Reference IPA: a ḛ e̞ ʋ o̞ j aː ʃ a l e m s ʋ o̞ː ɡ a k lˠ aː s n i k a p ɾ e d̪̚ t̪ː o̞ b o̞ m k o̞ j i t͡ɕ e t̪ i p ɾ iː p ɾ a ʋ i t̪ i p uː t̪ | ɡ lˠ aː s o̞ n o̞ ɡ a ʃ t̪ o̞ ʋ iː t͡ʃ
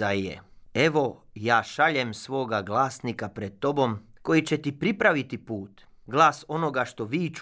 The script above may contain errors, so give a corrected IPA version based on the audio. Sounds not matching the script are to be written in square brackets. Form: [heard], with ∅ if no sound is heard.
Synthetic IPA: a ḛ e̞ ʋ o̞ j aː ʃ a [ʎ] e m s ʋ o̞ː ɡ a [ɡ] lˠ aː s n i k a p ɾ e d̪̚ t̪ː o̞ b o̞ m k o̞ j i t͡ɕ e t̪ i p ɾ [i] p ɾ a ʋ i t̪ i p uː t̪ | ɡ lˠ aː s o̞ n o̞ ɡ a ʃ t̪ o̞ ʋ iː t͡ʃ